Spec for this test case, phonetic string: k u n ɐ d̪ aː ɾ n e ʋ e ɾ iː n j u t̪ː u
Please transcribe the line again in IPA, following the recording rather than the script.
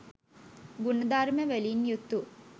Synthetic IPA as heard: ɡ u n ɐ d̪ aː ɾ m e ʋ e l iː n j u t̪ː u